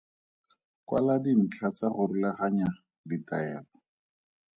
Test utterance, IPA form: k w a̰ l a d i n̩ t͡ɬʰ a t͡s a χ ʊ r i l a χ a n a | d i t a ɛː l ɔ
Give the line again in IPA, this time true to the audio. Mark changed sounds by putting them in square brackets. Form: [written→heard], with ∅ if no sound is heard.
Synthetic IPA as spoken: k w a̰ l a d i n̩ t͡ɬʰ a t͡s a χ ʊ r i l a χ a [n→ɲ] a | d i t a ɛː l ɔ